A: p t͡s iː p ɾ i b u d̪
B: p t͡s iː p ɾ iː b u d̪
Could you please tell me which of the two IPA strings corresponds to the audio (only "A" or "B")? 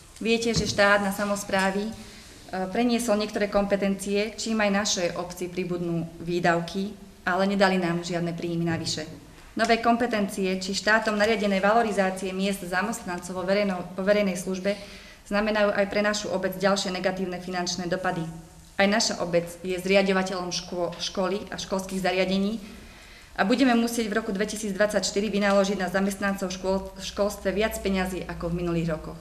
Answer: A